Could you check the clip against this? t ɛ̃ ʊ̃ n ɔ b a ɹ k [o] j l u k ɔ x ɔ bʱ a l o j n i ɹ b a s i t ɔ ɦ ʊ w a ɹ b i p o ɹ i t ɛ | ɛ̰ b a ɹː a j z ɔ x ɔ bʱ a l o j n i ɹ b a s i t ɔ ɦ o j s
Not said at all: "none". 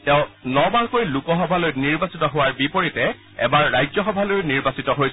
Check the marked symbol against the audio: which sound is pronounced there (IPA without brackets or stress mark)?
o